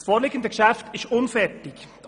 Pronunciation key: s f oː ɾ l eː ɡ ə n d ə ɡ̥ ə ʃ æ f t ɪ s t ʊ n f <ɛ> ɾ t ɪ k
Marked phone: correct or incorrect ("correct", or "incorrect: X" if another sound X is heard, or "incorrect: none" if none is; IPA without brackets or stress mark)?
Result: correct